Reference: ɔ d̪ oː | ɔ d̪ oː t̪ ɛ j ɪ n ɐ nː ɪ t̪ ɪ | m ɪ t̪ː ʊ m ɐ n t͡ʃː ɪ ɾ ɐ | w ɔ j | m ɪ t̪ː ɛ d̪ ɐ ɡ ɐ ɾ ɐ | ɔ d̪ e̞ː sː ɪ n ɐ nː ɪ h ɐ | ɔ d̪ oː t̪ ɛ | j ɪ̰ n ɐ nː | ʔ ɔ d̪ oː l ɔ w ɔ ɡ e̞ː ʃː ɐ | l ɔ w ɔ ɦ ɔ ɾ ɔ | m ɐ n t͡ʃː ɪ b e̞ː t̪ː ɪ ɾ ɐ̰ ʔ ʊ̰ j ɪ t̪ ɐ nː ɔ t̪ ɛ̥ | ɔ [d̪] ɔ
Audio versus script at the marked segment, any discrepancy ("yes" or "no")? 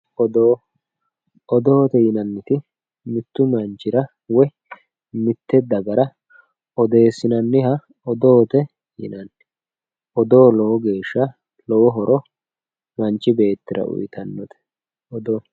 no